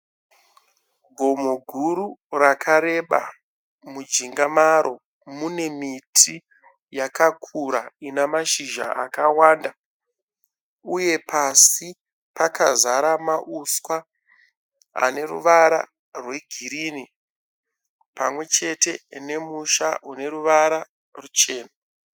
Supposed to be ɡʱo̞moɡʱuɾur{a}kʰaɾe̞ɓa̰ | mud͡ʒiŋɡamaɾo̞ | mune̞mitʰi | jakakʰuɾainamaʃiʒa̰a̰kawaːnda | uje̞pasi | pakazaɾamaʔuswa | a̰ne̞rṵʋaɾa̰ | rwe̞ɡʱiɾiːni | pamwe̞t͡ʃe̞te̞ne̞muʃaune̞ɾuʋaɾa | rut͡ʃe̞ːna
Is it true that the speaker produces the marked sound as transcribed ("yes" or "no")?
yes